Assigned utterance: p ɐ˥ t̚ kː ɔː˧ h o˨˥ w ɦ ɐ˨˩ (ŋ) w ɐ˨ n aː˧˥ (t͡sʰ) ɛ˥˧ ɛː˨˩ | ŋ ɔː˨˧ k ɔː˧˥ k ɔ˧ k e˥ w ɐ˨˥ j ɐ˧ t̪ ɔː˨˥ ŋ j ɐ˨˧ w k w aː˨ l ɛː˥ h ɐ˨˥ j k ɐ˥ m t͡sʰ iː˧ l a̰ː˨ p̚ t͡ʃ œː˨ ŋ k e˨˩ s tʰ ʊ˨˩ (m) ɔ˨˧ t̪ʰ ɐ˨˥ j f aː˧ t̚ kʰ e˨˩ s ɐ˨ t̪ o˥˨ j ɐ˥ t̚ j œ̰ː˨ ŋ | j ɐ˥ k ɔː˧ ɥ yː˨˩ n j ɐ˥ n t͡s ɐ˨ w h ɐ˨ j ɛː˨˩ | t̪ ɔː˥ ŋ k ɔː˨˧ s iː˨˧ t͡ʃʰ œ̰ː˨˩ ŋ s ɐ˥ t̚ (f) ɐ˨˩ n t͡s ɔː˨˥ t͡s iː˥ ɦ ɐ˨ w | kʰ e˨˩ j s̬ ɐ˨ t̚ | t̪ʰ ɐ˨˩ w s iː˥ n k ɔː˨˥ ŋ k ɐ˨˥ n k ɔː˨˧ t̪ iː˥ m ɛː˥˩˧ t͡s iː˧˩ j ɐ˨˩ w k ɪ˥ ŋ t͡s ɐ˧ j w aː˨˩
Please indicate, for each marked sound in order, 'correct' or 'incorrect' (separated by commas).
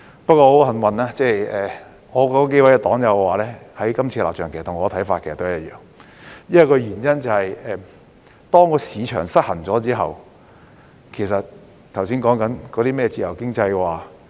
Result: incorrect, incorrect, incorrect, incorrect